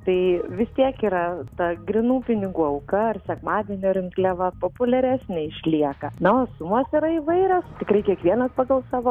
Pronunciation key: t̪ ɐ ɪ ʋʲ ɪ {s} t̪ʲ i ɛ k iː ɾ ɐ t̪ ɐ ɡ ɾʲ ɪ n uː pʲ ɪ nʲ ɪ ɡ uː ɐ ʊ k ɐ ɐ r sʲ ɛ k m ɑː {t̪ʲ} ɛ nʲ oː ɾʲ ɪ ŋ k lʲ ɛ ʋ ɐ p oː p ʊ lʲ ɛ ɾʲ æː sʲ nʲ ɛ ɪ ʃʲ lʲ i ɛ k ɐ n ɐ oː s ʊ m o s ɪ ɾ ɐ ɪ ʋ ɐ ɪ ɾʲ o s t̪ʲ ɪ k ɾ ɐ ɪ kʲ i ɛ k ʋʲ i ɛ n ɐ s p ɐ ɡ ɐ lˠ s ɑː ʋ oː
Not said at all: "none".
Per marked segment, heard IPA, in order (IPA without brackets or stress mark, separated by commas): s, d̪ʲ